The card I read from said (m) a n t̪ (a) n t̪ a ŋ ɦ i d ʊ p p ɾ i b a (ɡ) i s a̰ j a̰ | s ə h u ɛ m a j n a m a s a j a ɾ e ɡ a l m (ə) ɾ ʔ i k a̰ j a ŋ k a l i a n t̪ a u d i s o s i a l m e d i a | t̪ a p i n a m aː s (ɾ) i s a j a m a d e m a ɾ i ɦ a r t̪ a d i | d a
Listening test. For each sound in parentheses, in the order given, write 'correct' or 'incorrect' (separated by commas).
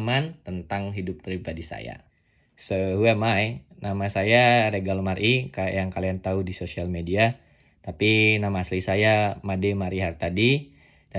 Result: correct, incorrect, incorrect, incorrect, incorrect